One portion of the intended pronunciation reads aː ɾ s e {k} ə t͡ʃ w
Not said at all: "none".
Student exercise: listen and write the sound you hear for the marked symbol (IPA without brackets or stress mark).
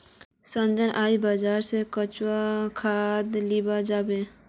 k